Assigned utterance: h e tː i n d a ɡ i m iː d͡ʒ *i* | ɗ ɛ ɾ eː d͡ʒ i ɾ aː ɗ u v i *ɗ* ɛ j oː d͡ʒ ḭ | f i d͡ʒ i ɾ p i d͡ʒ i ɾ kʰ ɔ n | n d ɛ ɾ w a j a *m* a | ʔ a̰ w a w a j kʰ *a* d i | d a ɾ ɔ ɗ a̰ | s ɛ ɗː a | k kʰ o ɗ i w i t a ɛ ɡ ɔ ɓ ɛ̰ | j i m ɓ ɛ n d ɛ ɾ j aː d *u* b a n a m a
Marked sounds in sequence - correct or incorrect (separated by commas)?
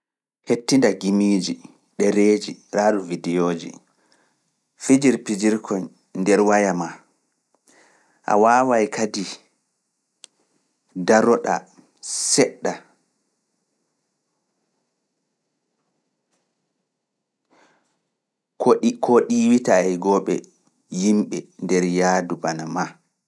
correct, incorrect, correct, correct, correct